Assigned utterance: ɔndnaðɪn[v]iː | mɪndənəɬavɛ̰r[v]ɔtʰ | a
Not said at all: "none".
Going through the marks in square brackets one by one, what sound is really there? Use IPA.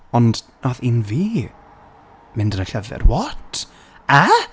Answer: v, w

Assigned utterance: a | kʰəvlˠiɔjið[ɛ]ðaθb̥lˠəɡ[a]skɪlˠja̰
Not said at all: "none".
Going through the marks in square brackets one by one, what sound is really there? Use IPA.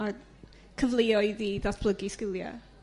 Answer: i, i

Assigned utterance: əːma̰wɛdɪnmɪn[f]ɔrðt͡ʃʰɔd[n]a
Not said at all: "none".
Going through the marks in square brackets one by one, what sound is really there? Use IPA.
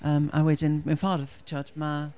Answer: f, m

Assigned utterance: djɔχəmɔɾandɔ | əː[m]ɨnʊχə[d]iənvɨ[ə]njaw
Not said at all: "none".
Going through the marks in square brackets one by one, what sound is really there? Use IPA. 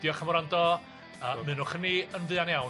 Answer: m, n, a

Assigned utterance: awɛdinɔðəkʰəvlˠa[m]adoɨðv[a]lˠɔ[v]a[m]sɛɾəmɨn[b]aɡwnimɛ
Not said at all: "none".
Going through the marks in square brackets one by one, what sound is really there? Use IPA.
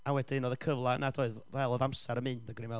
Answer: n, ɛ, ð, m, d

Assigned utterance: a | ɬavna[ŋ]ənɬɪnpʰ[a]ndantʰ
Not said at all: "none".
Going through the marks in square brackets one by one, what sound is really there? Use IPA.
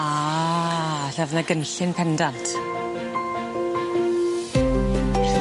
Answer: ɡ, ɛ

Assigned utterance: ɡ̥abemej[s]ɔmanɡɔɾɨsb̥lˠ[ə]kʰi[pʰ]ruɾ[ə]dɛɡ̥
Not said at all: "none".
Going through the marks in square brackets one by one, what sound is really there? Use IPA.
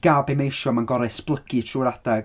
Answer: ʃ, ə, tʰ, a

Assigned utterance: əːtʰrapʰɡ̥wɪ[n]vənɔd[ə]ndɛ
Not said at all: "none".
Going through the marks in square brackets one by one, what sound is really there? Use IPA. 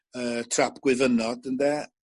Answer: none, ə

